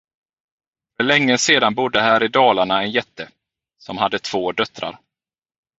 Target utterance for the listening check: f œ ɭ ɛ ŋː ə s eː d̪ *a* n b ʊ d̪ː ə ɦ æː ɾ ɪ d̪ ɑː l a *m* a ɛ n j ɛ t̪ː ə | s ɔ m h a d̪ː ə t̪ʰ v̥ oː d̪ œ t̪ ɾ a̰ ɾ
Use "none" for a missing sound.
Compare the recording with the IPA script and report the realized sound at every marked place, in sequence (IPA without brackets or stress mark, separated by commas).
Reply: a, ɳ